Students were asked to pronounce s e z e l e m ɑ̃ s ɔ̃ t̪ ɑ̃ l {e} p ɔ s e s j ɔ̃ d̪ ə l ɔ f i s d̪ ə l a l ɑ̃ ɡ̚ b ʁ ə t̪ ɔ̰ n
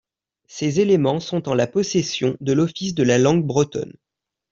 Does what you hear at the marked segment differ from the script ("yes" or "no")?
yes